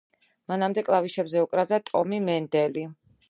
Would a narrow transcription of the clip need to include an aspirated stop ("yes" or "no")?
no